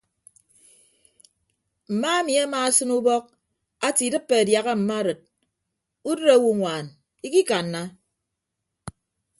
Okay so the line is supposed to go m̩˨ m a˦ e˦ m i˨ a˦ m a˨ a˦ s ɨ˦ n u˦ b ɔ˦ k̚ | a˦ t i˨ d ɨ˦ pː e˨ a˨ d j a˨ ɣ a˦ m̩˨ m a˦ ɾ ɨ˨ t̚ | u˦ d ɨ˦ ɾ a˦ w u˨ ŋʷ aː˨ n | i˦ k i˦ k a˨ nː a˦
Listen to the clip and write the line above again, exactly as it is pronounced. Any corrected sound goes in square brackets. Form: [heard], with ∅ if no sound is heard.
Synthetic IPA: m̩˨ m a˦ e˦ m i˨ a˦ m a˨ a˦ s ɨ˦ n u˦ b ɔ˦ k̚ | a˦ t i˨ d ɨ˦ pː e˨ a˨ d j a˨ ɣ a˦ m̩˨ m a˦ ɾ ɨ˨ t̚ | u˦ d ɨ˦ ɾ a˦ w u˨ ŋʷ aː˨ n | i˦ k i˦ k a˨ nː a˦